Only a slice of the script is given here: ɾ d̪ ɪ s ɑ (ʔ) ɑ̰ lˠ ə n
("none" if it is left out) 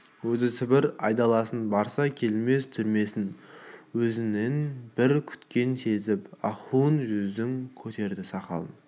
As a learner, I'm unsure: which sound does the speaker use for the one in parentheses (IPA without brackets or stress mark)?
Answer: q